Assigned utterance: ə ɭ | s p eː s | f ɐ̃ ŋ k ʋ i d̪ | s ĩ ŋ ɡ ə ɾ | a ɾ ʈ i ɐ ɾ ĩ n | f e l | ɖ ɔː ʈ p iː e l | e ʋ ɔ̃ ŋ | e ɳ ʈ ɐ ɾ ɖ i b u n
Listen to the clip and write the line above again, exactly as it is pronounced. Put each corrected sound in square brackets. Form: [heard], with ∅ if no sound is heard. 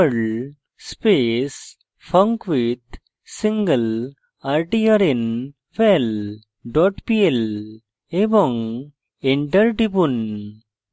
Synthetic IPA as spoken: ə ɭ | s p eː s | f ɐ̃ ŋ k ʋ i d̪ | s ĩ ŋ ɡ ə [l] | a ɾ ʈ i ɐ ɾ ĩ n | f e l | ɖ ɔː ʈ p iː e l | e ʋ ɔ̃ ŋ | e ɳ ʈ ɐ ɾ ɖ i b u n